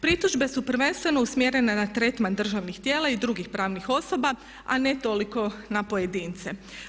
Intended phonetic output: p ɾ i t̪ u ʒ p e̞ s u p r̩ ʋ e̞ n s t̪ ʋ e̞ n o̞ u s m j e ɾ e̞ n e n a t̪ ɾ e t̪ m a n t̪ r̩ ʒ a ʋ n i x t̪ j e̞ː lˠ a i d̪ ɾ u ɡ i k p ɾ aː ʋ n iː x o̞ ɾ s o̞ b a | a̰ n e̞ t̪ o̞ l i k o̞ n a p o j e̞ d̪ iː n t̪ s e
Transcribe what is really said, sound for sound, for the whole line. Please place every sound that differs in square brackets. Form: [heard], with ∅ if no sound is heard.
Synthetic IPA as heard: p ɾ i t̪ u ʒ [b] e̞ s u p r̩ ʋ e̞ n s t̪ ʋ e̞ n o̞ u s m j e ɾ e̞ n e n a t̪ ɾ e t̪ m a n [d̪] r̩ ʒ a ʋ n i x t̪ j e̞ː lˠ a i d̪ ɾ u ɡ i [x] p ɾ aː ʋ n [i] x o̞ [∅] s o̞ b a | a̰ n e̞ t̪ o̞ l i k o̞ n a p o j e̞ d̪ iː n t̪ s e